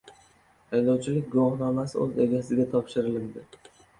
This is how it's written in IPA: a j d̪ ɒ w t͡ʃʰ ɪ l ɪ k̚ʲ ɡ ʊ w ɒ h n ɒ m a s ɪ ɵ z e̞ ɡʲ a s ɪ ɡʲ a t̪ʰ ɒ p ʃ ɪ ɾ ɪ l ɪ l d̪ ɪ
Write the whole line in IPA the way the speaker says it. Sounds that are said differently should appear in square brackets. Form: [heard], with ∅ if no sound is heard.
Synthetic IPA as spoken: a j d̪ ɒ w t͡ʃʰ ɪ l ɪ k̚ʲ ɡ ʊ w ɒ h n ɒ m a s ɪ ɵ z e̞ ɡʲ a s ɪ ɡʲ a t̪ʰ ɒ p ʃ ɪ ɾ ɪ l ɪ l d̪ ɪ